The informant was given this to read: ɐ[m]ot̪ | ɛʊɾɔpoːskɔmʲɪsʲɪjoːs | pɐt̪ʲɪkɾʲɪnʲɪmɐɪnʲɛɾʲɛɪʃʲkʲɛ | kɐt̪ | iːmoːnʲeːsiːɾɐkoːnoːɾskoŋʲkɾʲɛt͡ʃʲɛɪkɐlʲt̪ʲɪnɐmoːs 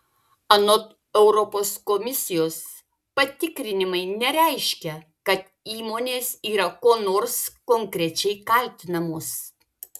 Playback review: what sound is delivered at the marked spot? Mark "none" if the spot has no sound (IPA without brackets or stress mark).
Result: n